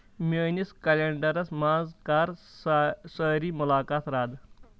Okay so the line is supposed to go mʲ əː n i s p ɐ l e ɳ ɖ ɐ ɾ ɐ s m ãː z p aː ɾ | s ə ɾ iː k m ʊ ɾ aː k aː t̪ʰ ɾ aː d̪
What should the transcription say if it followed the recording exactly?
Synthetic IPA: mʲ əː n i s k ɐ l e ɳ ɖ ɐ ɾ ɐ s m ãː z k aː ɾ | s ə ɾ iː m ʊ l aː k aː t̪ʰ ɾ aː d̪